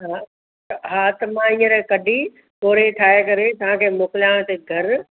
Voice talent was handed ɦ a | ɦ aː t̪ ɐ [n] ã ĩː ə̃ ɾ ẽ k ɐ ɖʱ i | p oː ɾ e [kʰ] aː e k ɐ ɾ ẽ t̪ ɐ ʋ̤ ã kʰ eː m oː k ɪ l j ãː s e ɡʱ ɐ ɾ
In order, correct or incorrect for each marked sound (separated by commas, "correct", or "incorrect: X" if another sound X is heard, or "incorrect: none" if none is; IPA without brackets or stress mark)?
incorrect: m, incorrect: ʈʰ